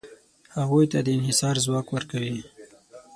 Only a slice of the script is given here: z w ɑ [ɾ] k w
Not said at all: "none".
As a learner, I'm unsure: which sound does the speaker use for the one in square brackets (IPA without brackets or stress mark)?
none